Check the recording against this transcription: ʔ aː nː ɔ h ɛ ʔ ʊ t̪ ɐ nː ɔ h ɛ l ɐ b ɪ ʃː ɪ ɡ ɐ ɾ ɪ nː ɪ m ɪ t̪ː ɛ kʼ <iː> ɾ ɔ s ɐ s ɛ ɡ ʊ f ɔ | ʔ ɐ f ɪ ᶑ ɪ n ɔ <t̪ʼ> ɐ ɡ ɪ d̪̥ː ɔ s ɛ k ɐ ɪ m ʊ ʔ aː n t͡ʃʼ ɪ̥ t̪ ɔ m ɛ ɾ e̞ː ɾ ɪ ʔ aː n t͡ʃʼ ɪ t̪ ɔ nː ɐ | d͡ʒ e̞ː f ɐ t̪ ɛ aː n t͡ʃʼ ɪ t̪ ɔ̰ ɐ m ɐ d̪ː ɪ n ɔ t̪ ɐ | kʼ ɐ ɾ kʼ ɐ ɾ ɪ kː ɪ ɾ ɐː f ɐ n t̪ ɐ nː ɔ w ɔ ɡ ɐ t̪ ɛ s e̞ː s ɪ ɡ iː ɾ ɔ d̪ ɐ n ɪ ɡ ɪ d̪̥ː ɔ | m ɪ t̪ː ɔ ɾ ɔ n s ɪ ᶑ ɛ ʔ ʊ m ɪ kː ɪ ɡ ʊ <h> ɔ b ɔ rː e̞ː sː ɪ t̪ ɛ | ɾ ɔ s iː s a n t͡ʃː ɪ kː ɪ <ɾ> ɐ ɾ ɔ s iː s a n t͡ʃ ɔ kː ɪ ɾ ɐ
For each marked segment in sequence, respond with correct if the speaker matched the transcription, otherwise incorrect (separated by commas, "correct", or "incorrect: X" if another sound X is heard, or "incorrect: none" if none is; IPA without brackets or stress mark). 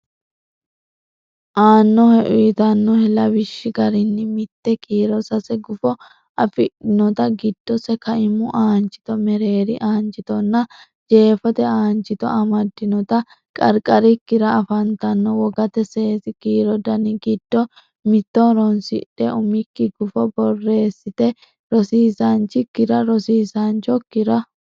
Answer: correct, incorrect: t̪, incorrect: f, correct